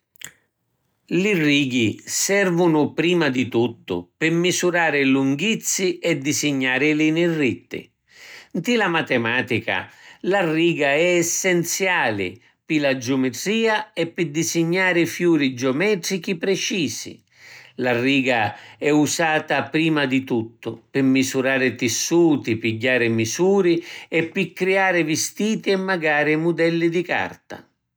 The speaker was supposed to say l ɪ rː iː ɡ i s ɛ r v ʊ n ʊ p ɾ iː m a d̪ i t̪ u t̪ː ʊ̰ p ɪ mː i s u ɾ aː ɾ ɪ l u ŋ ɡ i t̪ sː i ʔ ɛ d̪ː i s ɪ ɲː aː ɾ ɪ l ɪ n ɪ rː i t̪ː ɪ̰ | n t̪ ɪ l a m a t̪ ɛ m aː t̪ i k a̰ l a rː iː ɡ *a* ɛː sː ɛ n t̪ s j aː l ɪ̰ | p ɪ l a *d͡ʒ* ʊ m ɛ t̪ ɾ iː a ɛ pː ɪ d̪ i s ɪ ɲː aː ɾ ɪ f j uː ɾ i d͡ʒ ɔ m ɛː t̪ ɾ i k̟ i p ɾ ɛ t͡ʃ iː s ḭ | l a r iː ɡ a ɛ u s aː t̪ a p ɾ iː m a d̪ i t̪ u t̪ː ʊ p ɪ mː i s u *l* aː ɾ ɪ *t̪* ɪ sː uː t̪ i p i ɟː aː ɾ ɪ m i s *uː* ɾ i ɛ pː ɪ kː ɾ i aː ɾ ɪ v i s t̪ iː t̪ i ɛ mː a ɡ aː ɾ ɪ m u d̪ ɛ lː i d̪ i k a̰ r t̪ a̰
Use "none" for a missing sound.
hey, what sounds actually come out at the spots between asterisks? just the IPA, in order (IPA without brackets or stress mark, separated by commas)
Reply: a, d͡ʒ, ɾ, t̪, uː